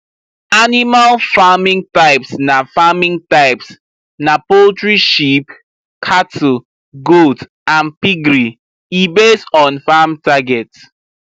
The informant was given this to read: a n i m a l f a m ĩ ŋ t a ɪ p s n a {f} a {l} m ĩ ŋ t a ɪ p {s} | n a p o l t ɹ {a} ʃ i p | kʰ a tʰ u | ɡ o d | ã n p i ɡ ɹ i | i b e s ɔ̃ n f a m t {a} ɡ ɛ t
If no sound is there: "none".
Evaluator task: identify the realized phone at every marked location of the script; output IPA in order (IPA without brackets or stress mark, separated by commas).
f, none, s, i, a